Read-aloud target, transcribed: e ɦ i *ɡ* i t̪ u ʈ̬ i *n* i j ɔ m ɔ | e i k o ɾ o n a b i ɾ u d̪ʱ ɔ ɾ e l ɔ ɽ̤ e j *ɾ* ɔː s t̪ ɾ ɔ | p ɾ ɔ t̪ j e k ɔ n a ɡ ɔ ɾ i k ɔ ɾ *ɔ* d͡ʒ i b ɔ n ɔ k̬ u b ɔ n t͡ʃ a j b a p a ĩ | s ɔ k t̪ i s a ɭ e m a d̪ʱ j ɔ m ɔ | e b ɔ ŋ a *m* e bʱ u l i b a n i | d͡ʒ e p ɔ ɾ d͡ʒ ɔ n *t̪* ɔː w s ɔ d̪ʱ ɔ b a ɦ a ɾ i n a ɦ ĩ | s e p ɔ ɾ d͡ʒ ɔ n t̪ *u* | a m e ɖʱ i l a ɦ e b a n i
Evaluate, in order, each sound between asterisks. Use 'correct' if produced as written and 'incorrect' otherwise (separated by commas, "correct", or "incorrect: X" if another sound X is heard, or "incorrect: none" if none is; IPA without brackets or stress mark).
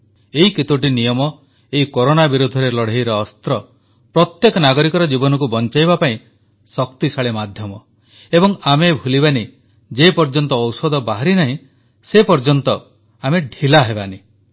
incorrect: k, correct, correct, correct, correct, correct, incorrect: ɔ